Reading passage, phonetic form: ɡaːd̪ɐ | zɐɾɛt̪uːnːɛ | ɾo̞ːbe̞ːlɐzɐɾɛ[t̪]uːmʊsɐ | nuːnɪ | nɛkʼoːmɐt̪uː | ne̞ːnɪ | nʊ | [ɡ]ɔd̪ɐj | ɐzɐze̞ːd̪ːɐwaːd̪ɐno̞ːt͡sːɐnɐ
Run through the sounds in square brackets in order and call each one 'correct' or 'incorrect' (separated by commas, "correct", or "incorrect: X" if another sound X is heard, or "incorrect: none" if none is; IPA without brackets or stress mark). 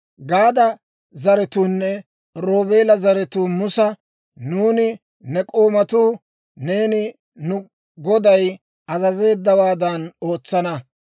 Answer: correct, correct